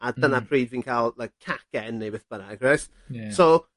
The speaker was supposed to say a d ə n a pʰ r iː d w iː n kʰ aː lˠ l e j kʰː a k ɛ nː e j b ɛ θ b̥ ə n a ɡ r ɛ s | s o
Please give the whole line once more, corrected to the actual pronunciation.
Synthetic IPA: a d ə n a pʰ r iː d v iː n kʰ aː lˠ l a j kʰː a k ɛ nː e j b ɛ θ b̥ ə n a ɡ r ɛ s | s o